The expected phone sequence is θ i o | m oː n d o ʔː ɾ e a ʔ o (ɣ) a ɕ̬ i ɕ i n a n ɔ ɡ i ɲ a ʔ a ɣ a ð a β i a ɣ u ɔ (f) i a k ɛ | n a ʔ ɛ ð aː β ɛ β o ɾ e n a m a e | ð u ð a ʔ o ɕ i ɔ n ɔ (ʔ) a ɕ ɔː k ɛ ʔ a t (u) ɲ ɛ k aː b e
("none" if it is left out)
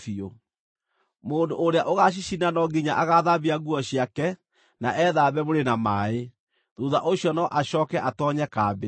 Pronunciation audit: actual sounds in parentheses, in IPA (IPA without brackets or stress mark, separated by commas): ɣ, ɕ, ʔ, ɔ